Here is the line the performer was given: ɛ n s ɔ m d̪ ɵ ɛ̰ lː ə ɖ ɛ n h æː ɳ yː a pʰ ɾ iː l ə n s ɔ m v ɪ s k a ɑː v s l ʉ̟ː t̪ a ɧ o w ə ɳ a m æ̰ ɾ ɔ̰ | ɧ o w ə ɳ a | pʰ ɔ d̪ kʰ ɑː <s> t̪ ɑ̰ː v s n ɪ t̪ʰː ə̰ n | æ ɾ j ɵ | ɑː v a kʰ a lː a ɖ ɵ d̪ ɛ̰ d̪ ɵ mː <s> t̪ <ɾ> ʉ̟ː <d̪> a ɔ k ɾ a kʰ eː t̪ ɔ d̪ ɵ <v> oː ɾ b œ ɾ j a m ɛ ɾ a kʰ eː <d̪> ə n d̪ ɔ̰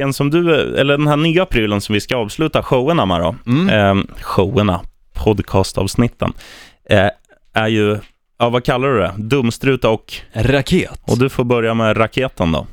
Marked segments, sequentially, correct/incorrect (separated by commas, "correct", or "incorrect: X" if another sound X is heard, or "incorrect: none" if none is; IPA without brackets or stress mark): correct, correct, correct, incorrect: t̪, incorrect: f, incorrect: t̪